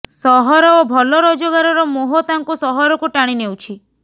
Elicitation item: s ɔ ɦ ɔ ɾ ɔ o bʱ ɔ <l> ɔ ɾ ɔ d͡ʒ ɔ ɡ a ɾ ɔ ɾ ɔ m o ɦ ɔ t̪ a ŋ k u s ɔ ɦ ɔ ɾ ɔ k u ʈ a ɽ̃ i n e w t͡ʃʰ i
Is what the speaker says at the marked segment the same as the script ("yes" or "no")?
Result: yes